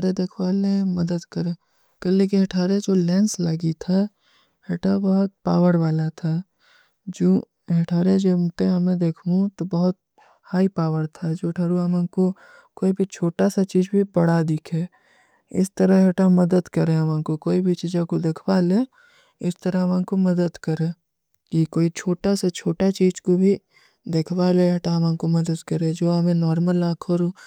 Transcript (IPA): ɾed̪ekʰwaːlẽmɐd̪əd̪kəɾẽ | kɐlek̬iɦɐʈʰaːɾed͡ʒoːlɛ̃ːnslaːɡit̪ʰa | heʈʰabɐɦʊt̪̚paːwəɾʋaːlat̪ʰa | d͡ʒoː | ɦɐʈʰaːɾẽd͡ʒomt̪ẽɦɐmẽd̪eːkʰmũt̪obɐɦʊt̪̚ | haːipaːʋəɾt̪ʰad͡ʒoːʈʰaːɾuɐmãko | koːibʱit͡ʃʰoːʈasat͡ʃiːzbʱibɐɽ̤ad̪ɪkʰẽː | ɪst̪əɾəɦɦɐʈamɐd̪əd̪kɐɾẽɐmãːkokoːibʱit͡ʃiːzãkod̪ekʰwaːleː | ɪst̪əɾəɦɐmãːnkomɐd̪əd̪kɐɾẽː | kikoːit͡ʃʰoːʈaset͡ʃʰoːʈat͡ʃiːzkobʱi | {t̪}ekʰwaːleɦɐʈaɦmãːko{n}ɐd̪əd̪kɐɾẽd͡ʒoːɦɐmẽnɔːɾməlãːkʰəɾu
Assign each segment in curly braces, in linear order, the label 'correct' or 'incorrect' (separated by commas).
incorrect, incorrect